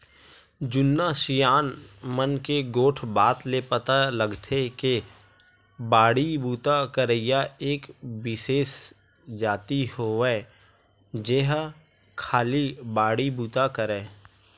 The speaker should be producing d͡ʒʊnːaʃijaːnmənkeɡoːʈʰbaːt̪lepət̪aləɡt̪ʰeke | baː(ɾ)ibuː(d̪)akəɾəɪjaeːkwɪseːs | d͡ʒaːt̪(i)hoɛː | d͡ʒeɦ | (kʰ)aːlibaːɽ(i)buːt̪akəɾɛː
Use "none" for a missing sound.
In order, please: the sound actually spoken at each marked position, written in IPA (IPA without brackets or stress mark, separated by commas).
ɽ, t̪, i, kʰ, i